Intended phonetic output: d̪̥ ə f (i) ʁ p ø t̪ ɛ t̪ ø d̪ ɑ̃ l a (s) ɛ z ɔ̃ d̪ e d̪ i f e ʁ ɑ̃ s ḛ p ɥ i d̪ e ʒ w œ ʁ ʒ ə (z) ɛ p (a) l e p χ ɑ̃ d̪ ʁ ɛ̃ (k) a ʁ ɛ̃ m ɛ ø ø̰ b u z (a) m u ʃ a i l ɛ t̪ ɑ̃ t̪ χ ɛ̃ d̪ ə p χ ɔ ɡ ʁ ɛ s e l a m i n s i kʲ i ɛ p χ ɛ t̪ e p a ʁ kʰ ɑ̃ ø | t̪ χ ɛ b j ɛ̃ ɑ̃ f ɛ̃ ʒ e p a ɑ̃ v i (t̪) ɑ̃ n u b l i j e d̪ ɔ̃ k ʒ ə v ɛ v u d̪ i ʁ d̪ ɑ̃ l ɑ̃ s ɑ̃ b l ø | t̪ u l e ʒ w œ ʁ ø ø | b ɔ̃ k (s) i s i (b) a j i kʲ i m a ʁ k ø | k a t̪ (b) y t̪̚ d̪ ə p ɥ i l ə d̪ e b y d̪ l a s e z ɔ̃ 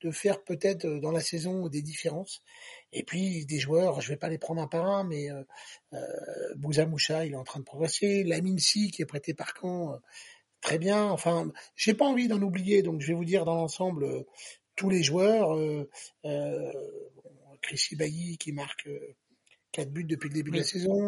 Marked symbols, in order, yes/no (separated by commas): no, yes, no, yes, no, yes, no, no, yes, yes